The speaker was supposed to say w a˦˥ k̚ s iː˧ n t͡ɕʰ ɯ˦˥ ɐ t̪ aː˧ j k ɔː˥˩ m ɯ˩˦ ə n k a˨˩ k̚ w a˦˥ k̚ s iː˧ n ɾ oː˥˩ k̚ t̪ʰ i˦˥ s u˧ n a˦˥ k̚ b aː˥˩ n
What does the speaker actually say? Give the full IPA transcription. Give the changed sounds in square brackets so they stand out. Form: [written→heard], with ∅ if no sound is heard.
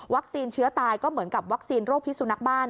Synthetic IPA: w a˦˥ k̚ s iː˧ n t͡ɕʰ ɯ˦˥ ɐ t̪ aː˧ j k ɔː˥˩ m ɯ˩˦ ə n k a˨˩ [k̚→p̚] w a˦˥ k̚ s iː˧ n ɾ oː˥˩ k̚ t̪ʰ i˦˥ s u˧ n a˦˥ k̚ b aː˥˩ n